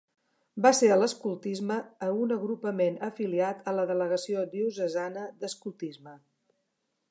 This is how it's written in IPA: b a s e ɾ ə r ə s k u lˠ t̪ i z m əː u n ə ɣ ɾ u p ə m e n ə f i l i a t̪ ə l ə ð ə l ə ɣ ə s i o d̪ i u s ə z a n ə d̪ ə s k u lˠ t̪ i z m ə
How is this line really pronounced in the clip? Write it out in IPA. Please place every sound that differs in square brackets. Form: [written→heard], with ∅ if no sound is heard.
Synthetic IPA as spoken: b a s e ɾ ə [r→l] ə s k u lˠ t̪ i z m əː u n ə ɣ ɾ u p ə m e n ə f i l i a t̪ ə l ə ð ə l ə ɣ ə s i o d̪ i u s ə z a n ə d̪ ə s k u lˠ t̪ i z m ə